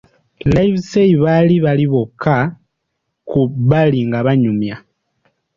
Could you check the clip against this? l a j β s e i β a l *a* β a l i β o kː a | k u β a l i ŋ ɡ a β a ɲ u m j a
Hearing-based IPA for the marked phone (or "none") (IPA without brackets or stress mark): i